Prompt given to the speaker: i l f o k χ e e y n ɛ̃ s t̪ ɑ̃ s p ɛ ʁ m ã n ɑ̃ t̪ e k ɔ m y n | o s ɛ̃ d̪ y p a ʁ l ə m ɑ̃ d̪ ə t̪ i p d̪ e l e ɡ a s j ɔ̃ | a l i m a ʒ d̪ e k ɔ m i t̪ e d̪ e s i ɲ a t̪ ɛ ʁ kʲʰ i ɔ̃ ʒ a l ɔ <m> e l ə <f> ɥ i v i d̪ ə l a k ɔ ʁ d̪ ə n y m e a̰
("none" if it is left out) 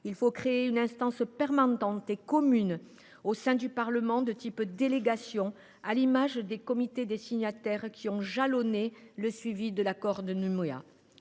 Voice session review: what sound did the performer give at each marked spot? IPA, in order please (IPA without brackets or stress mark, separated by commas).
n, s